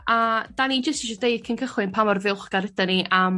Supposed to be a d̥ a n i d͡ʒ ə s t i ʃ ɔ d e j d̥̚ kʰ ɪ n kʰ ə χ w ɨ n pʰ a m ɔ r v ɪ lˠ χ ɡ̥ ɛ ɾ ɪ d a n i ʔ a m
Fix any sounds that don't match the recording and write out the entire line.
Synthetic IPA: a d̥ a n i d͡ʒ ə s t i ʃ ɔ d e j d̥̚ kʰ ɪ n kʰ ə χ w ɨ n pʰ a m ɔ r v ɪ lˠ χ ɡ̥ a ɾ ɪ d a n i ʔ a m